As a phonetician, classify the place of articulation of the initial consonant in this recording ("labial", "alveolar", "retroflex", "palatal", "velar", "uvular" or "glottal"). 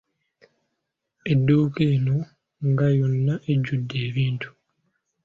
alveolar